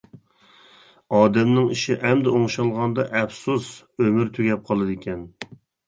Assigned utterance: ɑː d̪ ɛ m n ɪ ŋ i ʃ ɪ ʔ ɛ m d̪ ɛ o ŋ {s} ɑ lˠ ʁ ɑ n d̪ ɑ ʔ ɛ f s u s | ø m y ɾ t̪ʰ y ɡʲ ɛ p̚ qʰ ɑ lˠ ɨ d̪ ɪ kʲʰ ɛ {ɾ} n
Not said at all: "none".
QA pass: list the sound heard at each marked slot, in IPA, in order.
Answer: ʃ, none

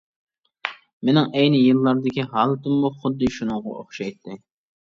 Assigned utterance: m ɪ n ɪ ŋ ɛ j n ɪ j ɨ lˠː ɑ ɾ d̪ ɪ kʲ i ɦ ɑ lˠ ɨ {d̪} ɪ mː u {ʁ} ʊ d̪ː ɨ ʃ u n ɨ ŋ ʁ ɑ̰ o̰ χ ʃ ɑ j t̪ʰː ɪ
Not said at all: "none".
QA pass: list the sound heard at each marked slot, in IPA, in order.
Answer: t̪, χ

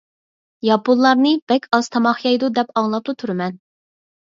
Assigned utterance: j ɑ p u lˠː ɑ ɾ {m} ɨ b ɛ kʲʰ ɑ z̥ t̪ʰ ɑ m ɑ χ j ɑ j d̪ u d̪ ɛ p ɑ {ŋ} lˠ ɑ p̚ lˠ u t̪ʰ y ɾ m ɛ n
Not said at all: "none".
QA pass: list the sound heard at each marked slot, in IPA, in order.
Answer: n, ŋ

